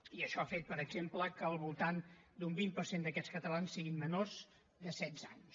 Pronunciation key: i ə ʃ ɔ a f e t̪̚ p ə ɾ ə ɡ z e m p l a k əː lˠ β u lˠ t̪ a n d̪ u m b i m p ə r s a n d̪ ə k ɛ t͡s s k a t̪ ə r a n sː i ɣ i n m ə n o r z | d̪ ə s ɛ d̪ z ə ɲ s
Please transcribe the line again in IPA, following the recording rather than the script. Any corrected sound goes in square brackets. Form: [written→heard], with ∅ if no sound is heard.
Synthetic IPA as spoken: i ə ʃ ɔ a f e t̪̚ p ə ɾ ə ɡ z e m p l [a→ə] k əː lˠ β u lˠ t̪ a n d̪ u m b i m p ə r s [a→e] n d̪ ə k ɛ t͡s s k [a→ə] t̪ ə [r→l] a n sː i ɣ i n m ə n o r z | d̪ ə s ɛ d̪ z [ə→a] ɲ s